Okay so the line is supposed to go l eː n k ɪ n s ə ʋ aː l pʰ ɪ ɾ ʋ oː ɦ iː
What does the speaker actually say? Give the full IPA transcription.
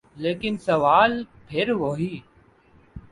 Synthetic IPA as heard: l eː k ɪ n s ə ʋ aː l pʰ ɪ ɾ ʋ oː ɦ iː